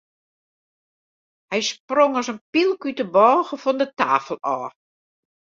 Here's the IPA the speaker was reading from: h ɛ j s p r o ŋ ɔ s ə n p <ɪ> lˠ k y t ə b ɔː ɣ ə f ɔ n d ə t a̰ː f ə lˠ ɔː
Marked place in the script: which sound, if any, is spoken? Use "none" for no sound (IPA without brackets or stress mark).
i